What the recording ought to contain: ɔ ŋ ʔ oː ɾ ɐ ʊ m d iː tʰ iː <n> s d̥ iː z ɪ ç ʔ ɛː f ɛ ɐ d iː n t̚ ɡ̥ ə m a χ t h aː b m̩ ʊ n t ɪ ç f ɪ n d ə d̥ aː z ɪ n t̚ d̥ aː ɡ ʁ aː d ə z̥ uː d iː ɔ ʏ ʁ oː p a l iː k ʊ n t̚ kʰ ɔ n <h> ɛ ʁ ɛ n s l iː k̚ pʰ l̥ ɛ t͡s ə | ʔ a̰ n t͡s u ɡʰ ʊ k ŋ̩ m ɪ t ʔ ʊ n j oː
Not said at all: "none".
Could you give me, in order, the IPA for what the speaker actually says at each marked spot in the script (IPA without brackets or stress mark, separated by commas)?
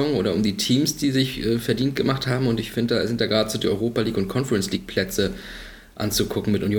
m, f